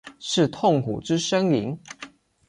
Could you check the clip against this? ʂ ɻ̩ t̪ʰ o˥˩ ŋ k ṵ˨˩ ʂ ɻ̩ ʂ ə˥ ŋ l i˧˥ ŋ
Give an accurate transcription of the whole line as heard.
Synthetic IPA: ʂ ɻ̩ t̪ʰ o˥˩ ŋ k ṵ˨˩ ʈ͡ʂ ɻ̩ ʂ ə˥ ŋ l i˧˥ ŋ

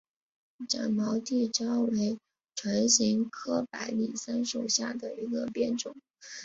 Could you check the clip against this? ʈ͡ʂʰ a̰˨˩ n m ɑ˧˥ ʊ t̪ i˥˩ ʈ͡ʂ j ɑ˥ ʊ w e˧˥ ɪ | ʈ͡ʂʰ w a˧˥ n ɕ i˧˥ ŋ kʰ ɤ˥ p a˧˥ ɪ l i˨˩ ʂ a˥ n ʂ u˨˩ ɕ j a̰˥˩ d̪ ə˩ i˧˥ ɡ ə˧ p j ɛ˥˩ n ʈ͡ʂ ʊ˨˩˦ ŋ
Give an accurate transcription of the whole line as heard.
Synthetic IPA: ʈ͡ʂ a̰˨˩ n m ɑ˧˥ ʊ t̪ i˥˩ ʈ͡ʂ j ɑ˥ ʊ w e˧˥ ɪ | ʈ͡ʂʰ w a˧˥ n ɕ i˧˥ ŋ kʰ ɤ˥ p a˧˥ ɪ l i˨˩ s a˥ n ʂ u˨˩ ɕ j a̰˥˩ d̪ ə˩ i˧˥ ɡ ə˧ p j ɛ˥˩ n ʈ͡ʂ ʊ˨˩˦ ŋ

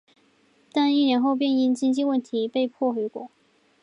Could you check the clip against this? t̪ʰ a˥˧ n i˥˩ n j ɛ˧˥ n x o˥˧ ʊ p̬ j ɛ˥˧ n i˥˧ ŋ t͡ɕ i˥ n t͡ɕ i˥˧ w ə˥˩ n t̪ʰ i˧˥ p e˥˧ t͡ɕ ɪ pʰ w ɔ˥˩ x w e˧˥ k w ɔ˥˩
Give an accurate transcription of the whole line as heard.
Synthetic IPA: t̪ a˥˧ n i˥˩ n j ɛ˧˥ n x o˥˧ ʊ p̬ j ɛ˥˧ n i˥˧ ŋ t͡ɕ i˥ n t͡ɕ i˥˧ w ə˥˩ n t̪ʰ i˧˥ p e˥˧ ɪ pʰ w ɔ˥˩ x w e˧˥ k w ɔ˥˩

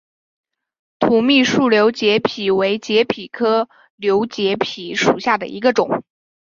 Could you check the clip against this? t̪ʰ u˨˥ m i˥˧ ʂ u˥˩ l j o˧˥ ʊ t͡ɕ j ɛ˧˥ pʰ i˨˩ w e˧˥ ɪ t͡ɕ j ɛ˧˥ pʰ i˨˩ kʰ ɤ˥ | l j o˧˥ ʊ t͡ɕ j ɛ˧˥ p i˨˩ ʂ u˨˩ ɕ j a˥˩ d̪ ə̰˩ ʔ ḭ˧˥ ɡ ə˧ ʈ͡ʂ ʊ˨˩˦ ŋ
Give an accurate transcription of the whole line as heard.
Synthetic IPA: t̪ʰ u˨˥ m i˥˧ ʂ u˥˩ l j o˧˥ ʊ t͡ɕ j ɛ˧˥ pʰ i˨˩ w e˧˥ ɪ t͡ɕ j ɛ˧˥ pʰ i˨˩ kʰ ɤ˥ | l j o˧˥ ʊ t͡ɕ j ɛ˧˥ pʰ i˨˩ ʂ u˨˩ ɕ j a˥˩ d̪ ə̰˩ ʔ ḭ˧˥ ɡ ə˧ ʈ͡ʂ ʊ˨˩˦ ŋ

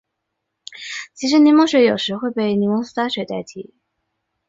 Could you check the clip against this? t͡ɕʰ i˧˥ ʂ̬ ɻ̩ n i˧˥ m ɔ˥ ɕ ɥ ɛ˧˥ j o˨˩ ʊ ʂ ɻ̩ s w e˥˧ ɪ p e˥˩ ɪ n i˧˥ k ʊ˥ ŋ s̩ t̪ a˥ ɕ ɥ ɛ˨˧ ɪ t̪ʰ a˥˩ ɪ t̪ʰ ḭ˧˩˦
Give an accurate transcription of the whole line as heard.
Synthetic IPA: t͡ɕʰ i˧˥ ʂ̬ ɻ̩ n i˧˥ m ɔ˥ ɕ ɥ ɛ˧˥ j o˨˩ ʊ ʂ ɻ̩ x w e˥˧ ɪ p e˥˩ ɪ n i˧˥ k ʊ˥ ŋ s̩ t̪ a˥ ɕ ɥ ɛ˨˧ ɪ t̪ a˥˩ ɪ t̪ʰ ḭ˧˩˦

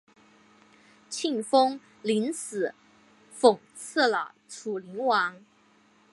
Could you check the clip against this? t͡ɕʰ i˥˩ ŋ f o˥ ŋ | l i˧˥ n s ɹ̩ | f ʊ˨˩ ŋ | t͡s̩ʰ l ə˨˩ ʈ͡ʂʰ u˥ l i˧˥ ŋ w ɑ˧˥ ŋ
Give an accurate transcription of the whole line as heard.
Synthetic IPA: t͡ɕʰ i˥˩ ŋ f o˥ ŋ | l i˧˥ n s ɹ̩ | f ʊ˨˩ ŋ | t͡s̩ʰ l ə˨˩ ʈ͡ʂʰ u˨˩ l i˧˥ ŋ w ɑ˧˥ ŋ

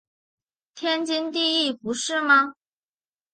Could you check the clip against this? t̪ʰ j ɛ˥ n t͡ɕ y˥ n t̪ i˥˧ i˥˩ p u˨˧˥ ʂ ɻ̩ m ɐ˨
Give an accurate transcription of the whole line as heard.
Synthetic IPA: t̪ʰ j ɛ˥ n t͡ɕ i˥ n t̪ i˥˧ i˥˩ p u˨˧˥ ʂ ɻ̩ m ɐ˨

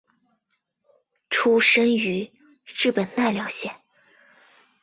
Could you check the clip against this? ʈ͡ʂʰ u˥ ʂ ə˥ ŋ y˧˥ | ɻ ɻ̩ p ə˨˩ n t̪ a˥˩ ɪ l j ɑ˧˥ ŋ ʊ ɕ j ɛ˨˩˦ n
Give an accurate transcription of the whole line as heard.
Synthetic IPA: ʈ͡ʂʰ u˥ ʂ ə˥ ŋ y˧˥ | ɻ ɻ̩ p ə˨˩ n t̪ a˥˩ ɪ l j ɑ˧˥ ʊ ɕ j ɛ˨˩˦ n

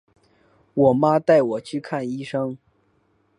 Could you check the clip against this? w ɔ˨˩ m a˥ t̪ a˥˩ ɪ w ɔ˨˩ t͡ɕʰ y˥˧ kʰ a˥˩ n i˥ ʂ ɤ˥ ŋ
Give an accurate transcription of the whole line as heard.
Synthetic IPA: w ɔ˨˩ m a˥ t̪ a˥˩ ɪ w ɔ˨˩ t͡ɕʰ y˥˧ kʰ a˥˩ n i˥ ʂ ɤ˥ ŋ

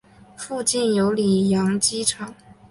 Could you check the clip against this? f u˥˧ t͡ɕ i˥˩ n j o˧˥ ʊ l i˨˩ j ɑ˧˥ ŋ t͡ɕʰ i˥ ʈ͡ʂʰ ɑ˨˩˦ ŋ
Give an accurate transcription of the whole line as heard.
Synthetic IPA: f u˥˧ t͡ɕ i˥˩ n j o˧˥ ʊ l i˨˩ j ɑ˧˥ ŋ t͡ɕ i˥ ʈ͡ʂʰ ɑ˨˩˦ ŋ

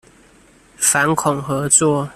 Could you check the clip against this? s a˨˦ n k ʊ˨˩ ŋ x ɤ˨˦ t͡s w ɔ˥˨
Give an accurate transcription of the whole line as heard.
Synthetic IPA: f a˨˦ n kʰ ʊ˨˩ ŋ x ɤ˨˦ t͡s w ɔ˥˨

